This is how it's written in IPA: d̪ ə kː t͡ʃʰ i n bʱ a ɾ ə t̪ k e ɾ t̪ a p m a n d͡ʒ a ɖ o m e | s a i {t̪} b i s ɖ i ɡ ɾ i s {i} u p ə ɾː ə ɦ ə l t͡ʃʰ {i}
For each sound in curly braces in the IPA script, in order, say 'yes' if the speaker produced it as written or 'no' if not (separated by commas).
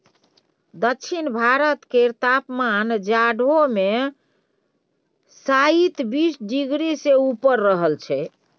yes, no, no